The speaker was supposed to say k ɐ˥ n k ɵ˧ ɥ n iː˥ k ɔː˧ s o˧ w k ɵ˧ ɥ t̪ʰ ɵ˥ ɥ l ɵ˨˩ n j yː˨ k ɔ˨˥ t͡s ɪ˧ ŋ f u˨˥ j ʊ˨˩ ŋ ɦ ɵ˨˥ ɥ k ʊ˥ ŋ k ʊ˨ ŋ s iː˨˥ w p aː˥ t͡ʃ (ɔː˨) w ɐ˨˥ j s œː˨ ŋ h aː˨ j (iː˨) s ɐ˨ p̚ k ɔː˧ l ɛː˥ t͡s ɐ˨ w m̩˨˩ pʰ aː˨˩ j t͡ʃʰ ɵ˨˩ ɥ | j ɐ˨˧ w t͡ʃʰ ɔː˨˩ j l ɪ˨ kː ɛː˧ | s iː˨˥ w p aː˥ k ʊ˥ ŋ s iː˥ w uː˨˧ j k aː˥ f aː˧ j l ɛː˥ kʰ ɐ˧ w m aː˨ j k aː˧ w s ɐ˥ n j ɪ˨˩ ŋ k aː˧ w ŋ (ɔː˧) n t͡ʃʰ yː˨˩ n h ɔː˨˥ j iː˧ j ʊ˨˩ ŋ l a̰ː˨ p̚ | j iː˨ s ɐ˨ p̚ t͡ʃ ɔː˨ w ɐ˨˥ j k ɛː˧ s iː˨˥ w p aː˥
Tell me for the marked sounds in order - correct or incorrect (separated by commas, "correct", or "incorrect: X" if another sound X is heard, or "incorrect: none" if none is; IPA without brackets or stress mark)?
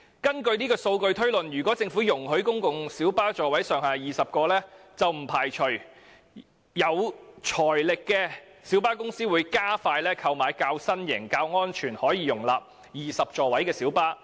correct, correct, incorrect: ɔː˥